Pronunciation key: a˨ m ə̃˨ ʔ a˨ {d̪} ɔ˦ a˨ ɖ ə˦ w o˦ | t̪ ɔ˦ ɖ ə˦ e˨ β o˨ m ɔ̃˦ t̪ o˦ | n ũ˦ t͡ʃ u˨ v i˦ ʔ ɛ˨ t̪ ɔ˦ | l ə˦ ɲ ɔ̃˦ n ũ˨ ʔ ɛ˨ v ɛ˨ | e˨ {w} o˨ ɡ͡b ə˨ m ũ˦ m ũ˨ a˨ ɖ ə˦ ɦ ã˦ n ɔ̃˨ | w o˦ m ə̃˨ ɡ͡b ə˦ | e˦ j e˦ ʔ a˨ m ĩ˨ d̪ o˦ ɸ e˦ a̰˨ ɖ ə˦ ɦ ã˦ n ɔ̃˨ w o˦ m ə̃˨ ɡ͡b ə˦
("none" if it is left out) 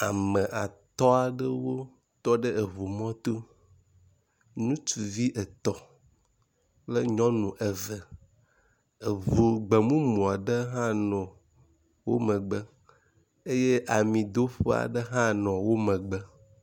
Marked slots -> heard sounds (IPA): t̪, v

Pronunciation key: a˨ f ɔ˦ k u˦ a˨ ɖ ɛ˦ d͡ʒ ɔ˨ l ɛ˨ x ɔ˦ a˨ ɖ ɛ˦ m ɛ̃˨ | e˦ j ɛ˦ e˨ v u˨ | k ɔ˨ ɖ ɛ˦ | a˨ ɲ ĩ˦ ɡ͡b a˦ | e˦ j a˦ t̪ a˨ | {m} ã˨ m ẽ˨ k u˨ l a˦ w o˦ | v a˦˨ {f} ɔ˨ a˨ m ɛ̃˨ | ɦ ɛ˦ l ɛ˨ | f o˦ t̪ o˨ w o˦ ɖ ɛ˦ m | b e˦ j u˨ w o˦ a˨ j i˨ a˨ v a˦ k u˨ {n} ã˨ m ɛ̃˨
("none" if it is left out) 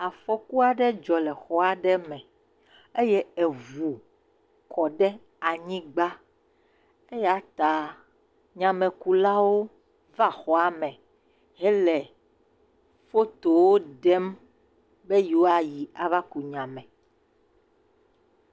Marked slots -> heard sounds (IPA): ɲ, x, ɲ

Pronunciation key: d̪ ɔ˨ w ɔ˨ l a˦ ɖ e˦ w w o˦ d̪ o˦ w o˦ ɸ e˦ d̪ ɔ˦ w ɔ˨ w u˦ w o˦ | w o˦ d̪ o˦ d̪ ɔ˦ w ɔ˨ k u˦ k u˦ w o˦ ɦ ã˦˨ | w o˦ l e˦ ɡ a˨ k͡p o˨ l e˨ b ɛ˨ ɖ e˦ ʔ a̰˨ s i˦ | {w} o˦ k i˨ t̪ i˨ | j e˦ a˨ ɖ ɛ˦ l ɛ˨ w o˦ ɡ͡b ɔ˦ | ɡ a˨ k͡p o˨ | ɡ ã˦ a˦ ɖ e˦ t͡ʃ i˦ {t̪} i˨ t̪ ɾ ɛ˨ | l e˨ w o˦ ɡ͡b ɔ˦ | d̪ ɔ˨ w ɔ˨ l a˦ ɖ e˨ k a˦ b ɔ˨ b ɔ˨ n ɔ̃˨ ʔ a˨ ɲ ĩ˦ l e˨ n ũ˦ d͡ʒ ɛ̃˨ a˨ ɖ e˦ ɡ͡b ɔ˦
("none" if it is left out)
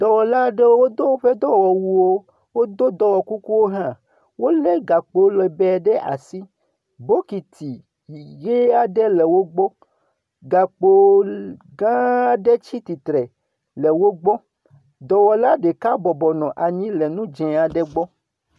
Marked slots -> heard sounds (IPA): b, t̪

